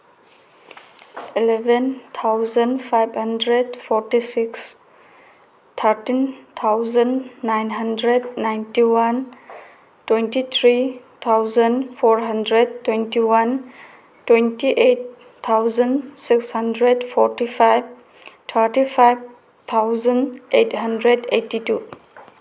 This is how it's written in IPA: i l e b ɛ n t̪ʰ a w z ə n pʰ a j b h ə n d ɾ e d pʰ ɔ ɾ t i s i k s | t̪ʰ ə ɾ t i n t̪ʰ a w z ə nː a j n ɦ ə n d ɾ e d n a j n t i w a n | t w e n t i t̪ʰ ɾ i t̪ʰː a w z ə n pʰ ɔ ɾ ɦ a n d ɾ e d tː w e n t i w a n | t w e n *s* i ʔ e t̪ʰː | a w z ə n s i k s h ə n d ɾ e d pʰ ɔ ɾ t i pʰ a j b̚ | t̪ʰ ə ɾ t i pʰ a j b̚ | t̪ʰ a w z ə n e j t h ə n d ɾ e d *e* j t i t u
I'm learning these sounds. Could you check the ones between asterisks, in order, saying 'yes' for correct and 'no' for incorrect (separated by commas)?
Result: no, yes